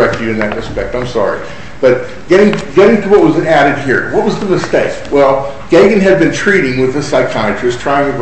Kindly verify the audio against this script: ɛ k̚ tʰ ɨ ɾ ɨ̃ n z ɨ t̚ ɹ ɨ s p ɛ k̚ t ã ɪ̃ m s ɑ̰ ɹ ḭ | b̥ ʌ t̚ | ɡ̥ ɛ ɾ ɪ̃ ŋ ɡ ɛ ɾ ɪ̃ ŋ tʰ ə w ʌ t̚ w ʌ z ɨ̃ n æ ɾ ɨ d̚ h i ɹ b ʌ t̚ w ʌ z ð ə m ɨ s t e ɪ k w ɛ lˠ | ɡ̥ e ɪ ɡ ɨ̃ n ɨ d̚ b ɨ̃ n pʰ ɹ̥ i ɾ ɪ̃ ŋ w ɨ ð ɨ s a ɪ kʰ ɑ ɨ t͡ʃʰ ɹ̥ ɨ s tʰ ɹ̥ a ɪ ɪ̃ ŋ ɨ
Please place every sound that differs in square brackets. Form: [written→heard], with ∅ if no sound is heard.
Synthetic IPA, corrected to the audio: ɛ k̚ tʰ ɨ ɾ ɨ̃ n [z→ð] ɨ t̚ ɹ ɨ s p ɛ k̚ t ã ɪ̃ m s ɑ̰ ɹ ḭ | b̥ ʌ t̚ | ɡ̥ ɛ ɾ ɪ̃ ŋ ɡ ɛ ɾ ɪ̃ ŋ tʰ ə w ʌ t̚ w ʌ z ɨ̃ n æ ɾ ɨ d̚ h i ɹ [b→w] ʌ t̚ w ʌ z ð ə m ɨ s t e ɪ k w ɛ lˠ | ɡ̥ e ɪ ɡ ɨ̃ n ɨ d̚ b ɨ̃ n [pʰ→tʰ] ɹ̥ i ɾ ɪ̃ ŋ w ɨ ð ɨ s a ɪ kʰ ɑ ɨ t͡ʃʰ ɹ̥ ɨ s tʰ ɹ̥ a ɪ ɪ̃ ŋ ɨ